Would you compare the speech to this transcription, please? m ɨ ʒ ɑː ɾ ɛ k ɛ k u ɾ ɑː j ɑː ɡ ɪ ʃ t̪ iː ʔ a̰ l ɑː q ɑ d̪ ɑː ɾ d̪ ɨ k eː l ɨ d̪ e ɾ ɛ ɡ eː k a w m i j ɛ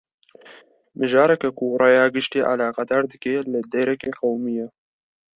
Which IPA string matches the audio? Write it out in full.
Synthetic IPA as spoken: m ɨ ʒ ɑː ɾ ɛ k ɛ k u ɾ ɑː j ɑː ɡ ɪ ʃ t̪ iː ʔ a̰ l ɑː q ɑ d̪ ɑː ɾ d̪ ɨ k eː l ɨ d̪ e ɾ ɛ k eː q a w m i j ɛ